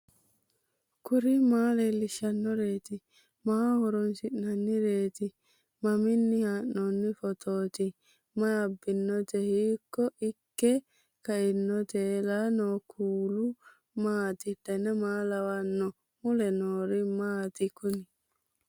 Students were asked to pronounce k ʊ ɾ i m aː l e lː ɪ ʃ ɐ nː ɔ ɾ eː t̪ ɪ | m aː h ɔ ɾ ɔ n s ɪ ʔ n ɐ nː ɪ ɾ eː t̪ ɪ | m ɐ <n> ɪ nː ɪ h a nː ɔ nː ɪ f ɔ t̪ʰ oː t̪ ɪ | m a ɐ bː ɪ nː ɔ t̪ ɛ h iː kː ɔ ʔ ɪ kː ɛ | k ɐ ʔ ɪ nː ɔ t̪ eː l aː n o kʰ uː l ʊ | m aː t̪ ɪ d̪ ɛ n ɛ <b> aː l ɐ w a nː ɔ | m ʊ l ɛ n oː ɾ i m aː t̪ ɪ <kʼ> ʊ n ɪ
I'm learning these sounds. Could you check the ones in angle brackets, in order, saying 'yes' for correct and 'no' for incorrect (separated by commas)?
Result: no, no, no